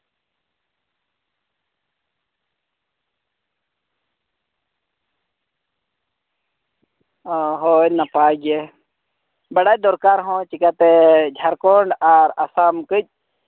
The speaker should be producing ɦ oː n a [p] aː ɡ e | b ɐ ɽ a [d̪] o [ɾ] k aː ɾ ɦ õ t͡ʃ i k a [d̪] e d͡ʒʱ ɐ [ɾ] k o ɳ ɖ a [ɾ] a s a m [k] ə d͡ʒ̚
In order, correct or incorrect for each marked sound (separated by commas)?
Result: correct, correct, correct, incorrect, correct, correct, correct